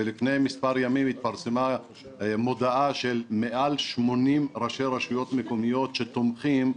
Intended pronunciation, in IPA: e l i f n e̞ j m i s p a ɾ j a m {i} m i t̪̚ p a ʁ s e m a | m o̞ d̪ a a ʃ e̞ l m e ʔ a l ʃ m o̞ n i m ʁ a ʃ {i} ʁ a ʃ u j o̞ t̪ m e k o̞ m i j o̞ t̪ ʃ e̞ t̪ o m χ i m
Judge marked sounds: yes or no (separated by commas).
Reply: yes, no